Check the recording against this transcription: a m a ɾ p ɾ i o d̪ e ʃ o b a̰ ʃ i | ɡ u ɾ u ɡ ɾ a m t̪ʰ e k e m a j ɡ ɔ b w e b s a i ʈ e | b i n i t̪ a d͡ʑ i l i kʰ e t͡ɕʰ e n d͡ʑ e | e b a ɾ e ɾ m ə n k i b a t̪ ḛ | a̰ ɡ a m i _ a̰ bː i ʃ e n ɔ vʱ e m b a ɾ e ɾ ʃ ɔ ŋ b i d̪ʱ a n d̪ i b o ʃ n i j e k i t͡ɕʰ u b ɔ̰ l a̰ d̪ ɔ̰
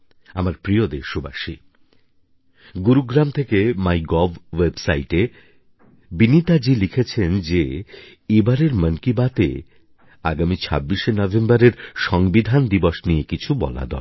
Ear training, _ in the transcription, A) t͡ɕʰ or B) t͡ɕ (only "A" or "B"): A